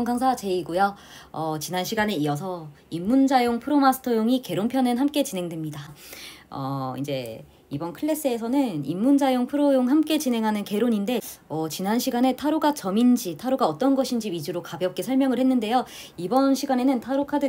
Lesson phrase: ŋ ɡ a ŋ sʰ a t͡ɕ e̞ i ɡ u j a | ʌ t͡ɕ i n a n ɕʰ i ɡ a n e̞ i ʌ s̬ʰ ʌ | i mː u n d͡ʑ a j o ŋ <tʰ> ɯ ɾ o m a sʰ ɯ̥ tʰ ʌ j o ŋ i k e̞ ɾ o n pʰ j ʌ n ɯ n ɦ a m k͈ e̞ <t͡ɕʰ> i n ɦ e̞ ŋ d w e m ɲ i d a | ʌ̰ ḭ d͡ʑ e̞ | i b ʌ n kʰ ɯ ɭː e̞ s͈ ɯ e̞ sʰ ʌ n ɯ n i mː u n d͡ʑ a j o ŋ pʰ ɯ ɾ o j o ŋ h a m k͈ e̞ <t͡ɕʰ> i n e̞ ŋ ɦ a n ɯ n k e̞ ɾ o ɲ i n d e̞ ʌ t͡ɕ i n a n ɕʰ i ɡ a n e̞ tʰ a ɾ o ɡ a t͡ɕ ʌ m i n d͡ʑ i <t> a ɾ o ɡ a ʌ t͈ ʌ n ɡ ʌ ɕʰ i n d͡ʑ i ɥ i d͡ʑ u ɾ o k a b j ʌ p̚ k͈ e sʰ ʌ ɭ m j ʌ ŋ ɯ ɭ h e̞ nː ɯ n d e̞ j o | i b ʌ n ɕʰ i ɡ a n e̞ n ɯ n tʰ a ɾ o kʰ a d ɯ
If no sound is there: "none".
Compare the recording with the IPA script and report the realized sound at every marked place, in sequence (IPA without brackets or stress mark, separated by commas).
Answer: pʰ, t͡ɕ, t͡ɕ, tʰ